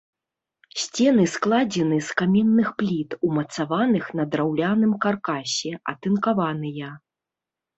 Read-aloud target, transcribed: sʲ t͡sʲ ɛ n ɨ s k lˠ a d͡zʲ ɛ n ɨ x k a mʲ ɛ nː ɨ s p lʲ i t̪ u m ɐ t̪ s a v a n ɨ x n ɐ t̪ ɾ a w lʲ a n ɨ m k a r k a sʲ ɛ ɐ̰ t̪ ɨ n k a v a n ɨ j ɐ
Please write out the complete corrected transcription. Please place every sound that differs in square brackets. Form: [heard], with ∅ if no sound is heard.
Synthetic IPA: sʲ t͡sʲ ɛ n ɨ s k lˠ a d͡zʲ ɛ n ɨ [s] k a mʲ ɛ nː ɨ [x] p lʲ i t̪ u m ɐ t̪ s a v a n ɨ x n ɐ [d̪] ɾ a w lʲ a n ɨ m k a r k a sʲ ɛ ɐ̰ t̪ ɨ n k a v a n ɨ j ɐ

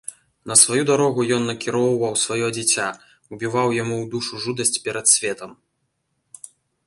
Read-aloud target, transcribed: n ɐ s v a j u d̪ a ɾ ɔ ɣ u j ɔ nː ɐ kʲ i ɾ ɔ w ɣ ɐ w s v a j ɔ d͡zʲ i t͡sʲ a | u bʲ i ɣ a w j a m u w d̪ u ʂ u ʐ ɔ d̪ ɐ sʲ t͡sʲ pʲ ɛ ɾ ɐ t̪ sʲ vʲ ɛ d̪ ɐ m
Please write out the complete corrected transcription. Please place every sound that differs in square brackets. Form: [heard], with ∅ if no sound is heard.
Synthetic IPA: n ɐ s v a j u d̪ a ɾ ɔ ɣ u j ɔ nː ɐ kʲ i ɾ ɔ w [v] ɐ w s v a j ɔ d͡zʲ i t͡sʲ a | u bʲ i [v] a w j a m u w d̪ u ʂ u ʐ [u] d̪ ɐ sʲ t͡sʲ pʲ ɛ ɾ ɐ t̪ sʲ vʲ ɛ [t̪] ɐ m

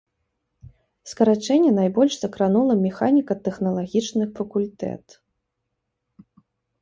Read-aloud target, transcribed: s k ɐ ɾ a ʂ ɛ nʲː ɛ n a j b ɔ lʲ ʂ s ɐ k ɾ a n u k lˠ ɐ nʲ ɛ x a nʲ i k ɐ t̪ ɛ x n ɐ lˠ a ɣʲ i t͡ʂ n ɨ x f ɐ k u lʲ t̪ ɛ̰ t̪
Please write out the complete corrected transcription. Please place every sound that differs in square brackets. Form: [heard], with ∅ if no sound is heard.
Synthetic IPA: s k ɐ ɾ a [t͡ʂ] ɛ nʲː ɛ n a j b ɔ lʲ ʂ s ɐ k ɾ a n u [∅] lˠ ɐ [mʲ] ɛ x a nʲ i k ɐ t̪ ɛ x n ɐ lˠ a ɣʲ i t͡ʂ n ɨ x f ɐ k u lʲ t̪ ɛ̰ t̪

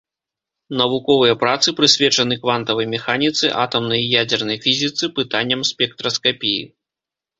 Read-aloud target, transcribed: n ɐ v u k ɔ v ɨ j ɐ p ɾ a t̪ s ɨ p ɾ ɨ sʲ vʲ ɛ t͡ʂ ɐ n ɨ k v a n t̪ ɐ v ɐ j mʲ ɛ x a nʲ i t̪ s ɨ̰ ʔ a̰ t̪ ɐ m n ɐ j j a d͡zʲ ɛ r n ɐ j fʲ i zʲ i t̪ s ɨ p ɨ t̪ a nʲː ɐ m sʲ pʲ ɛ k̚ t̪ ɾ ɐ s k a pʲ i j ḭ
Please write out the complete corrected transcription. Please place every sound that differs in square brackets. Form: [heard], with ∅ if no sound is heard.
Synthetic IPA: n ɐ v u k ɔ v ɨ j ɐ p ɾ a t̪ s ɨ p ɾ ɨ sʲ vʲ ɛ t͡ʂ ɐ n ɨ k v a n t̪ ɐ v ɐ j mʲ ɛ x a nʲ i t̪ s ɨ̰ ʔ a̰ t̪ ɐ m n ɐ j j a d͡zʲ ɛ r n ɐ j fʲ i zʲ i t̪ s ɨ p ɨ t̪ a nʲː ɐ m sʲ pʲ ɛ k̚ t̪ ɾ ɐ s k a pʲ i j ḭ

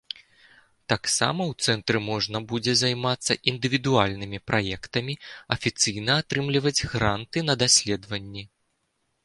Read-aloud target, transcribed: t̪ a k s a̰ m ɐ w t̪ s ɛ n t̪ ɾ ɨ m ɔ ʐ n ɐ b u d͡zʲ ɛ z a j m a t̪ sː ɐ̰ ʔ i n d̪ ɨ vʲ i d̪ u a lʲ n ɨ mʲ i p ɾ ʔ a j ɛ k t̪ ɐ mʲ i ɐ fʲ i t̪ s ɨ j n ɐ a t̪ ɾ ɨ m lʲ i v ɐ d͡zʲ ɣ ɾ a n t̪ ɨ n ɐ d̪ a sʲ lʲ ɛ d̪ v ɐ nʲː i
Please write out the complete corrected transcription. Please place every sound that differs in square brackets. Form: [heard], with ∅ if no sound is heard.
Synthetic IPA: t̪ a k s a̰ m ɐ w t̪ s ɛ n t̪ ɾ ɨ m ɔ ʐ n ɐ b u d͡zʲ ɛ z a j m a t̪ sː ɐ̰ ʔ i n d̪ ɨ vʲ i d̪ u a lʲ n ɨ mʲ i p ɾ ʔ a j ɛ k t̪ ɐ mʲ i ɐ fʲ i t̪ s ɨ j n ɐ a t̪ ɾ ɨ m lʲ i v ɐ d͡zʲ ɣ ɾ a n t̪ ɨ n ɐ d̪ a sʲ lʲ ɛ d̪ v ɐ nʲː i

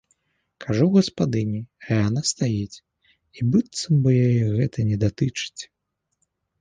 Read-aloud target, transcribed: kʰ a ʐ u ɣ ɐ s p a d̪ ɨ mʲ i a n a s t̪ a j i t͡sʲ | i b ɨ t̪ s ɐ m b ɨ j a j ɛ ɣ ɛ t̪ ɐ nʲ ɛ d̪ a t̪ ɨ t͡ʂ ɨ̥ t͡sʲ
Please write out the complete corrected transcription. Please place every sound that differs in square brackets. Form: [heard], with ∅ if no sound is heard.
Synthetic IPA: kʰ a ʐ u ɣ ɐ s p a d̪ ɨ [nʲ] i a n a s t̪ a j i t͡sʲ | i b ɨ t̪ s ɐ m b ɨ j a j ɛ ɣ ɛ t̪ ɐ nʲ ɛ d̪ a t̪ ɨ t͡ʂ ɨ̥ t͡sʲ

